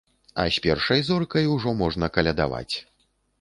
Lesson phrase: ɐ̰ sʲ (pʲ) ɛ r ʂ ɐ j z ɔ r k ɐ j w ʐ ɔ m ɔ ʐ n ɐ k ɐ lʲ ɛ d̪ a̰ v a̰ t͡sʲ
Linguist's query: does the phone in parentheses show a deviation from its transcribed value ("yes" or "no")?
no